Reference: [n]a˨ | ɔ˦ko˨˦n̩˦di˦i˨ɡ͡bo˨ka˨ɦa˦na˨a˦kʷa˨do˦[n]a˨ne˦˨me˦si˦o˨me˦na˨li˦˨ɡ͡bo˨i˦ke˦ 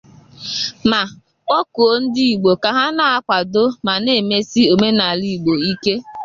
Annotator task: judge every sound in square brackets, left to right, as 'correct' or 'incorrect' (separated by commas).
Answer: incorrect, incorrect